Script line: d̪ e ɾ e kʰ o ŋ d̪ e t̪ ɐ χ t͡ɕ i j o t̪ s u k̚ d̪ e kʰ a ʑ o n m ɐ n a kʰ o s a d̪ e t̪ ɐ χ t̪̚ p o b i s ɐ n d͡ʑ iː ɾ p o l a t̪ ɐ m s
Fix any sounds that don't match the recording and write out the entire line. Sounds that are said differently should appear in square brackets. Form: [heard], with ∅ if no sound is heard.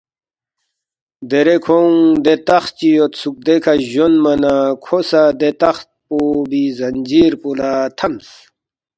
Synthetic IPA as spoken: d̪ e ɾ e kʰ o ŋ d̪ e t̪ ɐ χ t͡ɕ i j o t̪ s u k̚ d̪ e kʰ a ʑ o n m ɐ n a kʰ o s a d̪ e t̪ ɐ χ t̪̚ p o b i [z] ɐ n d͡ʑ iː ɾ p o l a [t̪ʰ] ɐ m s